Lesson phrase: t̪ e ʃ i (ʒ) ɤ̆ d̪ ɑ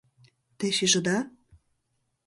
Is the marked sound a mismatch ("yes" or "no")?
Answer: no